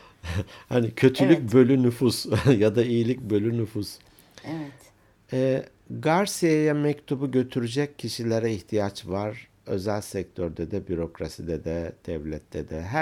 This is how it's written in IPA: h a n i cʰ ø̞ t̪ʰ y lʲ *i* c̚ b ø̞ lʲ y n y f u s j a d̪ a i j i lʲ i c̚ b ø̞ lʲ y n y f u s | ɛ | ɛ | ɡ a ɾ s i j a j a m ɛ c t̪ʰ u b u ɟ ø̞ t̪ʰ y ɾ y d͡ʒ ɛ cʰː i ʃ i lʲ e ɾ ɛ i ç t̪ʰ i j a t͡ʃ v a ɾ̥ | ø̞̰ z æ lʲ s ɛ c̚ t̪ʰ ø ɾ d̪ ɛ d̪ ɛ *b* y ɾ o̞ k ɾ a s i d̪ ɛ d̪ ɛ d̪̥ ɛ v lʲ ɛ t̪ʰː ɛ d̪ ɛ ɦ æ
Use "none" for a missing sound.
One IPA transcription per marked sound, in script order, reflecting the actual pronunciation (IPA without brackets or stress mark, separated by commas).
y, b